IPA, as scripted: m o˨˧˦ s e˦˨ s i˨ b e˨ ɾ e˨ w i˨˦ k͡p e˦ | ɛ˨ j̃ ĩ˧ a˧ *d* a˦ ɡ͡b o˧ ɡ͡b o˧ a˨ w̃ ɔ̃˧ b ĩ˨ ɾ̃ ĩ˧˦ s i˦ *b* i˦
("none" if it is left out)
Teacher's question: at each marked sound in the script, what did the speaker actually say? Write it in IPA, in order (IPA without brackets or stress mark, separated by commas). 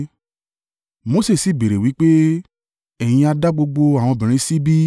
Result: d, b